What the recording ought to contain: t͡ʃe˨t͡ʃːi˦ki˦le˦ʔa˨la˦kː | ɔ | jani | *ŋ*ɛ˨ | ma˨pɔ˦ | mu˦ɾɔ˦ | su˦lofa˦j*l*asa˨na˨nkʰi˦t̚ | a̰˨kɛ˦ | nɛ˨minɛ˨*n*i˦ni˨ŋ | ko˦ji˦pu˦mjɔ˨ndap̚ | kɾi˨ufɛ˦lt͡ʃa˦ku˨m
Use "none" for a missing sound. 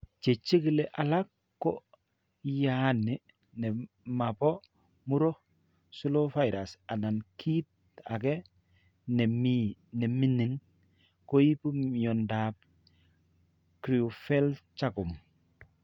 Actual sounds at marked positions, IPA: n, ɾ, m

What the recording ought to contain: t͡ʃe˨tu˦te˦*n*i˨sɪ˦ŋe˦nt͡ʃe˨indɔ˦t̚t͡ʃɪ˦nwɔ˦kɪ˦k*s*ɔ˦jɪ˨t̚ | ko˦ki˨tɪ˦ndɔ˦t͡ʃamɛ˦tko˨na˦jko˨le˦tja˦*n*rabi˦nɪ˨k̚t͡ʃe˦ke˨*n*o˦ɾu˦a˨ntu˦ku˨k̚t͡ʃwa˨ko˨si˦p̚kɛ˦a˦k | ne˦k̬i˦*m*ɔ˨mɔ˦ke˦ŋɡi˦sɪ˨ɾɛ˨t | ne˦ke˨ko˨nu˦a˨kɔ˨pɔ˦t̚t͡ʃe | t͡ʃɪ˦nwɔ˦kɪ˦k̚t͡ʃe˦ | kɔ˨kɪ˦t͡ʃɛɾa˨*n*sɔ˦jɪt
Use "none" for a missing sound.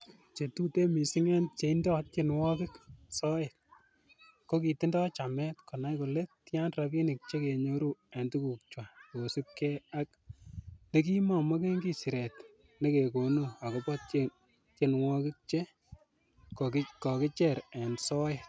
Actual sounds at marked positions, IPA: m, s, n, ɲ, m, n

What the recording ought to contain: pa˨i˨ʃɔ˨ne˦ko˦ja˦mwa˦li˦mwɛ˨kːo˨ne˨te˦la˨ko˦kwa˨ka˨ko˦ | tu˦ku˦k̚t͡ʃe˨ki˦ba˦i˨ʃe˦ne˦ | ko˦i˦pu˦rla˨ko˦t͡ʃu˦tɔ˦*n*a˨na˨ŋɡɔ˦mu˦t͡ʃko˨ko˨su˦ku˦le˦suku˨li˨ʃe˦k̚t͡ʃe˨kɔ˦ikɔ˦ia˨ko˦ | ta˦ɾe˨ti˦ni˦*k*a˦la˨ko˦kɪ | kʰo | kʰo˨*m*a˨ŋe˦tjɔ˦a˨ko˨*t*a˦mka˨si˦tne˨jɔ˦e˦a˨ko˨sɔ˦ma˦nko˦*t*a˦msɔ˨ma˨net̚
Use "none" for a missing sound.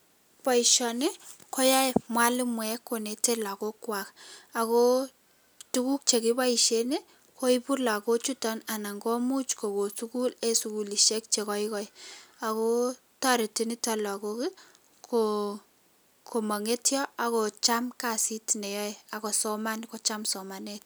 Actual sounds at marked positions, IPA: n, t, m, t͡ʃ, t͡ʃ

